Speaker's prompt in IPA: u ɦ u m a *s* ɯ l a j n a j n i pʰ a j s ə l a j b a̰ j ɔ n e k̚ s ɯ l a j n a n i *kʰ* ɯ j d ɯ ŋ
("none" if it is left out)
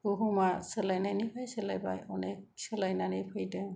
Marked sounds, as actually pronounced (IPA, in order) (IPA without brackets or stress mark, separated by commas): s, pʰ